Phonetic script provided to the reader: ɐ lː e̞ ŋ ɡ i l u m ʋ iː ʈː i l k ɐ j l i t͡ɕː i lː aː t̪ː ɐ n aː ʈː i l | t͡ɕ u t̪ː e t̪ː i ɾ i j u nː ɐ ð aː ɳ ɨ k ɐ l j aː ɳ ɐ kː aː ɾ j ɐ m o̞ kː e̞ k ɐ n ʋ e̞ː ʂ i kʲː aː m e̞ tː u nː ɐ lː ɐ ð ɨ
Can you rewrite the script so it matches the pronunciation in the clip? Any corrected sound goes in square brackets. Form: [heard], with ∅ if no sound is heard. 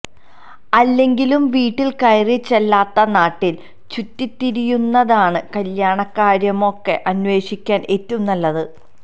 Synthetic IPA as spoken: ɐ lː e̞ ŋ ɡ i l u m ʋ iː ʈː i l k ɐ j [r] i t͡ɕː [e] lː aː t̪ː ɐ n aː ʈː i l | t͡ɕ u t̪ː [i] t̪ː i ɾ i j u nː ɐ ð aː ɳ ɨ k ɐ l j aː ɳ ɐ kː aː ɾ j ɐ m o̞ kː e̞ [ʔ] ɐ n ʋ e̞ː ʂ i kʲː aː [n] e̞ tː u nː ɐ lː ɐ ð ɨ